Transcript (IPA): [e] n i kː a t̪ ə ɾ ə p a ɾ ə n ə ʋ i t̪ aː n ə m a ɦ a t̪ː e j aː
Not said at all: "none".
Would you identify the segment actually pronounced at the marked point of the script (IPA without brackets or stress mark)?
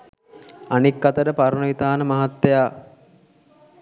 a